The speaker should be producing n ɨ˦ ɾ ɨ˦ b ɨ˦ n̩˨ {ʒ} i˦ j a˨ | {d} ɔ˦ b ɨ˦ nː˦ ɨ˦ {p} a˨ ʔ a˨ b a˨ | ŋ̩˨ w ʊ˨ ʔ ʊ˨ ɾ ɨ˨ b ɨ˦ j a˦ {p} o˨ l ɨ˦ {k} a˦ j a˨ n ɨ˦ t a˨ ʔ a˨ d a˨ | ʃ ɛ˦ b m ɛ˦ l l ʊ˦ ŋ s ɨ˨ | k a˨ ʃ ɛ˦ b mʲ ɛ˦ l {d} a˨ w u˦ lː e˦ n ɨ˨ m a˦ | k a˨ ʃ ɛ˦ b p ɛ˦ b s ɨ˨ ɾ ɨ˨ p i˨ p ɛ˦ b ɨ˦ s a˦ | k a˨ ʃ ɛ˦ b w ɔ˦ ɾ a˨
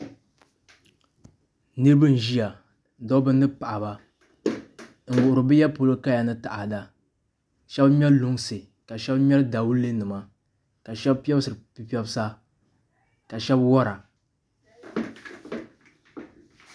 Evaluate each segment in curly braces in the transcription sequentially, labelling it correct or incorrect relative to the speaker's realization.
correct, correct, correct, correct, correct, correct

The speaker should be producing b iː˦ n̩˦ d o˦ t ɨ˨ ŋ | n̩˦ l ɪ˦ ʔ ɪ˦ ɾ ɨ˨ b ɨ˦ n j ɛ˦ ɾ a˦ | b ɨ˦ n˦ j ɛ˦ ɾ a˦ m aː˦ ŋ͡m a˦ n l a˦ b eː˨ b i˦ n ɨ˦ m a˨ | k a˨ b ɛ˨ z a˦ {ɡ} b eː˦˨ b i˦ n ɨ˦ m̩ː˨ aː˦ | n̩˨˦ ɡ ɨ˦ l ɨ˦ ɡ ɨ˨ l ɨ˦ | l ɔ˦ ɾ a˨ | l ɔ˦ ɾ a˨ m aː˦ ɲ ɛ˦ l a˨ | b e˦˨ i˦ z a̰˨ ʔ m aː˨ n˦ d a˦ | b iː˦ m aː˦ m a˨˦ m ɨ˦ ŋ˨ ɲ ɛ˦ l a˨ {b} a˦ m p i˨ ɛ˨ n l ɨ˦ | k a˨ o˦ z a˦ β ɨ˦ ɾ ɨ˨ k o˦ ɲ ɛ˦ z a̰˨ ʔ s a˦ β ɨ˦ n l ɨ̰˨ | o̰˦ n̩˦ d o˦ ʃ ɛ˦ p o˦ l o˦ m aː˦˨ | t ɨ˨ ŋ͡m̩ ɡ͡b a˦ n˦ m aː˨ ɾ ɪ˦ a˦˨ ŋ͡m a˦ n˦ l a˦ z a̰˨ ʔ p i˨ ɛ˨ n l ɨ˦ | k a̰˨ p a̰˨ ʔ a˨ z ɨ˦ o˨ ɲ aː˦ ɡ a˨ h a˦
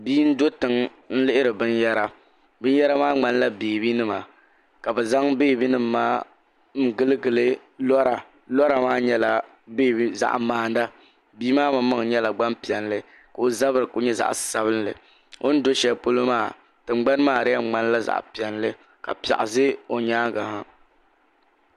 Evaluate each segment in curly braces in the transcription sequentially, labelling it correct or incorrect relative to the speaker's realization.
incorrect: ŋ, incorrect: ɡ͡b

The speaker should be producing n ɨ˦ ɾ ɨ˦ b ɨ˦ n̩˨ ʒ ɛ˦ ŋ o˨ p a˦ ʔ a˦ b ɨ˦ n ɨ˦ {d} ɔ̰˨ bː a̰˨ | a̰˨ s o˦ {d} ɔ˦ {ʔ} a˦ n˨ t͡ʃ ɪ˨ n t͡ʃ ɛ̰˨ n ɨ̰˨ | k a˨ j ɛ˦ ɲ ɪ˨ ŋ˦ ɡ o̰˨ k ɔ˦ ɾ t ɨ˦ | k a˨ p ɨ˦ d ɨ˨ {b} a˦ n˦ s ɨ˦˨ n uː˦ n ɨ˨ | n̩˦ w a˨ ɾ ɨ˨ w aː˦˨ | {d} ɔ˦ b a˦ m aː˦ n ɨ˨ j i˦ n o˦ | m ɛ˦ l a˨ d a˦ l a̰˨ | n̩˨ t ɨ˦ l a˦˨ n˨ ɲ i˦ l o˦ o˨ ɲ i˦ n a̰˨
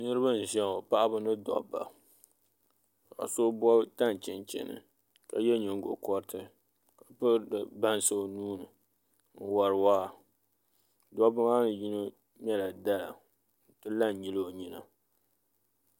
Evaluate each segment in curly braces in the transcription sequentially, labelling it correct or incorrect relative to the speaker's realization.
correct, incorrect: b, incorrect: t, correct, correct

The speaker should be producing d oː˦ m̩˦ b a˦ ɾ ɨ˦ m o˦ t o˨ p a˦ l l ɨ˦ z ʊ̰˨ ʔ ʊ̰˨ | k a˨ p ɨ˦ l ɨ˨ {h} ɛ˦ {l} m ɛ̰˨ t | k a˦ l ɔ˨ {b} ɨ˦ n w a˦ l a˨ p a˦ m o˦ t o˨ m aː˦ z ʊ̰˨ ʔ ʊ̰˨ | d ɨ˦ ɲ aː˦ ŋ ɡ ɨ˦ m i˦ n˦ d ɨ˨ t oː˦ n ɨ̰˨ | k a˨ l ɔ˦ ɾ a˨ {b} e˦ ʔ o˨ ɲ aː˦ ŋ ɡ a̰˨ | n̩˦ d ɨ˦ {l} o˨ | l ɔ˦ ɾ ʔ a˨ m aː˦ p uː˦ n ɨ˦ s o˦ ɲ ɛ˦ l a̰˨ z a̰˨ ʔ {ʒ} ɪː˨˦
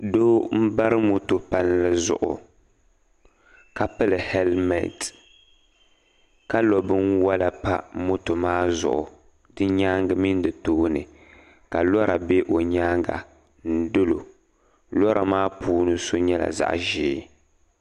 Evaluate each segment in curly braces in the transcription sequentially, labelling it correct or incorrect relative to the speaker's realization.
correct, correct, correct, correct, correct, correct

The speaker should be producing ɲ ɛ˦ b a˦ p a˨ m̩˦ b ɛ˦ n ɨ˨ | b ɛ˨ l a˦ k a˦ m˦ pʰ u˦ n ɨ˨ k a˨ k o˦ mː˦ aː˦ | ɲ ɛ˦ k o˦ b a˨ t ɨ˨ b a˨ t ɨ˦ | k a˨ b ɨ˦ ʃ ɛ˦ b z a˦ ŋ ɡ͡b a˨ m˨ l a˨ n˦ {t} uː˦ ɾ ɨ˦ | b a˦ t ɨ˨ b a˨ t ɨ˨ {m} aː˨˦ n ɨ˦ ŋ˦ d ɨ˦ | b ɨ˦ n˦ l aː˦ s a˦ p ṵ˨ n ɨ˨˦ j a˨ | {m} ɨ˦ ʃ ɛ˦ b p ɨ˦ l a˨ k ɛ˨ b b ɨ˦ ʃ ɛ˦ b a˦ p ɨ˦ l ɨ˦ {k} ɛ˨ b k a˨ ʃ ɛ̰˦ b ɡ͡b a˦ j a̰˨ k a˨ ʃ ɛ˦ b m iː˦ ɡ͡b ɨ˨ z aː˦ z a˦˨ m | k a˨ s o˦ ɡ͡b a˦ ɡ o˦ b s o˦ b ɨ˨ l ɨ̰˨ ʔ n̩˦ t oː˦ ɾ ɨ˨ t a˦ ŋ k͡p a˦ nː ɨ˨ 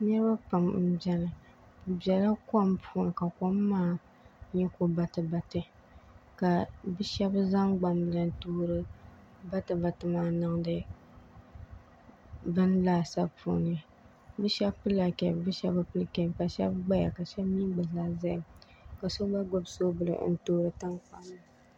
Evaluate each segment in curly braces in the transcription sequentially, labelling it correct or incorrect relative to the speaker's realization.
correct, correct, incorrect: b, correct

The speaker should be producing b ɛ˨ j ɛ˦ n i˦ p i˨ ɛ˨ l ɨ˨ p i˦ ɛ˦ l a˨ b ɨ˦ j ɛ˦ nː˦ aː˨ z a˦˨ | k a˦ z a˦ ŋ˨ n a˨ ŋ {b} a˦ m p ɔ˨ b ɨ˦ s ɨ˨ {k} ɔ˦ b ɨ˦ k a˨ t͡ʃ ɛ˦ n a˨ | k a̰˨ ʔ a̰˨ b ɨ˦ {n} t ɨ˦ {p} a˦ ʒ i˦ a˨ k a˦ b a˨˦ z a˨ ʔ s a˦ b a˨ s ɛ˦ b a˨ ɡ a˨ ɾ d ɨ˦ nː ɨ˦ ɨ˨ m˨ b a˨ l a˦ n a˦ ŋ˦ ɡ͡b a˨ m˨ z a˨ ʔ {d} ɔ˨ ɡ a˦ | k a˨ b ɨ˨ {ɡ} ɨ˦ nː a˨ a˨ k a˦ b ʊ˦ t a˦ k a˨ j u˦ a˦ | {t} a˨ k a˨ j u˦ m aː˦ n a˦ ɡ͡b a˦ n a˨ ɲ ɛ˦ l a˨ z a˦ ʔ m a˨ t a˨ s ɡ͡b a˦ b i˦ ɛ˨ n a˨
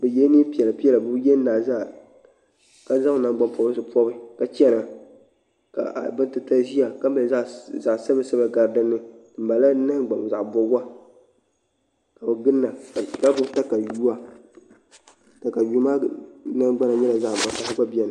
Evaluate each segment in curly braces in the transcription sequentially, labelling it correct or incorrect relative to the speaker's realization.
incorrect: ɡ͡b, incorrect: p, correct, incorrect: t, incorrect: b, correct, correct

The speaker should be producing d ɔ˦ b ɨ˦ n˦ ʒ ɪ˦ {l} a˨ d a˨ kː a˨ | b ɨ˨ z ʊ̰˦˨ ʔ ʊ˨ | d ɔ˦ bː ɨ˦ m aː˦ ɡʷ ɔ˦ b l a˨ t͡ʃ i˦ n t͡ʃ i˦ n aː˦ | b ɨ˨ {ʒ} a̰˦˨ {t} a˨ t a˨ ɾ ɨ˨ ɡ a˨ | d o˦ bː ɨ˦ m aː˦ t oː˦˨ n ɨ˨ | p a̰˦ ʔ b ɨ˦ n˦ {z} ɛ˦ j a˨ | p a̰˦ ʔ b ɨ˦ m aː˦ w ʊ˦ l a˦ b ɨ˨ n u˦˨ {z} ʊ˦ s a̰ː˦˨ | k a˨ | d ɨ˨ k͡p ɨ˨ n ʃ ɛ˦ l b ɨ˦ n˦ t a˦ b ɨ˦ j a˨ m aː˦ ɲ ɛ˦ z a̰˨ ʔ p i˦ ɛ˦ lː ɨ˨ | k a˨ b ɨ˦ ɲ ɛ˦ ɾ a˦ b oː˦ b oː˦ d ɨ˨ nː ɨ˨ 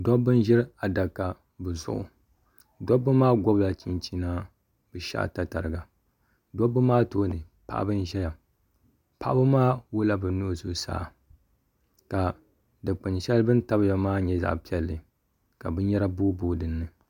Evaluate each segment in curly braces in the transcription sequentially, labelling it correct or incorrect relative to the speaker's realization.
incorrect: ɾ, incorrect: ʃ, correct, incorrect: ʒ, correct

